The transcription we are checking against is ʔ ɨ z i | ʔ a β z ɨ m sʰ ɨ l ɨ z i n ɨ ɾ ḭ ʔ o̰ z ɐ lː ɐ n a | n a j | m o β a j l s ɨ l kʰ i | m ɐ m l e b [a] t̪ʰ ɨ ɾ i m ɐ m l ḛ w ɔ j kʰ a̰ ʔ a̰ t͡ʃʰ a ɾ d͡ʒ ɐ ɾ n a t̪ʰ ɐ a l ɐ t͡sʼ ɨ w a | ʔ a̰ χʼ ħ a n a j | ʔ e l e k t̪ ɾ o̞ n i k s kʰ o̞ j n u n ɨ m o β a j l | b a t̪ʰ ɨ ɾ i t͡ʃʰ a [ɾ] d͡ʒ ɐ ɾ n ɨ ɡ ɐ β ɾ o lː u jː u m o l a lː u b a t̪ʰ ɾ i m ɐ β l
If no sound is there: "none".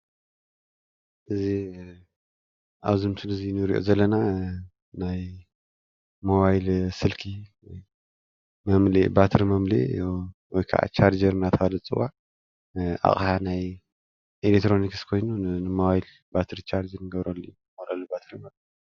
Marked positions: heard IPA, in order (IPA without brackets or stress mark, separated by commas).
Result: a, ɾ